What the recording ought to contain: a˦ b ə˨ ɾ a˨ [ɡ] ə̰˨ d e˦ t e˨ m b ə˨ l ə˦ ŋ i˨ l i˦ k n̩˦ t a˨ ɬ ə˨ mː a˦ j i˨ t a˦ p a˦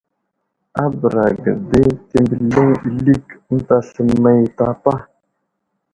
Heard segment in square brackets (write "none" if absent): ɡ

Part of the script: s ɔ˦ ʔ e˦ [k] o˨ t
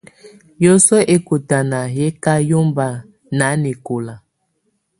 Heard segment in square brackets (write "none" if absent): k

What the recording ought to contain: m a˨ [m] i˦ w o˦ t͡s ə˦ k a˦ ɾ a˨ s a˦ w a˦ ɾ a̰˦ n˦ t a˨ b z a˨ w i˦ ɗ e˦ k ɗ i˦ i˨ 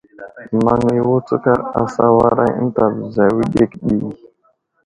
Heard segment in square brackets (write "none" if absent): ŋ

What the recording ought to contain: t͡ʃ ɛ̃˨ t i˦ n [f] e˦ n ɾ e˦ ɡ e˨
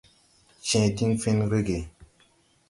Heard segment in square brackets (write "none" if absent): f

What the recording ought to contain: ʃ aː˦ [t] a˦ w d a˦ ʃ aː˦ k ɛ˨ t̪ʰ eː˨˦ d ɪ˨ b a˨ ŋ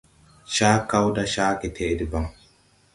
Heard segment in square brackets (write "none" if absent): k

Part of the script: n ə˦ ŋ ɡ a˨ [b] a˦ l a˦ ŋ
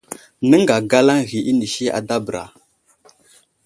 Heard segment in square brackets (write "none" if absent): ɡ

